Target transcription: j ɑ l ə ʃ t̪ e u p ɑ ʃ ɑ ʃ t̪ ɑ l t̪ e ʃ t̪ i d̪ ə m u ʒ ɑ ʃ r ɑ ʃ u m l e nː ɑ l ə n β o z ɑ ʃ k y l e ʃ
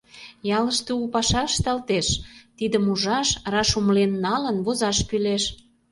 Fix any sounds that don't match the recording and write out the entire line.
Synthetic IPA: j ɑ l ə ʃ t̪ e u p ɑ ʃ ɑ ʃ t̪ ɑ l t̪ e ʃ t̪ i d̪ ə m u ʒ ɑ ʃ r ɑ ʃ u m l e nː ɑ l ə n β o z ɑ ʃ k y l e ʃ